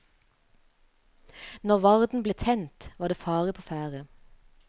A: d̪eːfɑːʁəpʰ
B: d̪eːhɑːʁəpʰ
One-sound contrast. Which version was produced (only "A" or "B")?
A